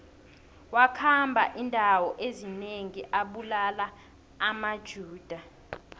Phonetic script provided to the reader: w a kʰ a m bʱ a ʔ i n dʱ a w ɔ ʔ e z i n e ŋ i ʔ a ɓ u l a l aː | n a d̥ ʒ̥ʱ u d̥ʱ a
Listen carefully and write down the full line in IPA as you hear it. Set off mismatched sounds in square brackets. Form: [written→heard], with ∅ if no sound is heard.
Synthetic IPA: w a kʰ a m bʱ a ʔ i n dʱ a w ɔ ʔ e z i n e ŋ i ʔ a ɓ u l a l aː | [n→m] a d̥ ʒ̥ʱ [u→uː] d̥ʱ a